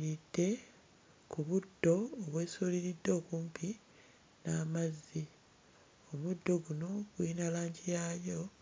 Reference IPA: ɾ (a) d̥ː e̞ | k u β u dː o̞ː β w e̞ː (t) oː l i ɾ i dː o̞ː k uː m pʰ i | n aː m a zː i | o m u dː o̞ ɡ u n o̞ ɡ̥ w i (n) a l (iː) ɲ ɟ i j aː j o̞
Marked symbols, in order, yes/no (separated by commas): no, no, yes, no